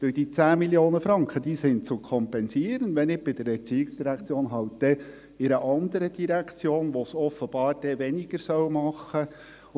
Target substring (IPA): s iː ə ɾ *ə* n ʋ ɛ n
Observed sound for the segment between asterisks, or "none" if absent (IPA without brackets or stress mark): ə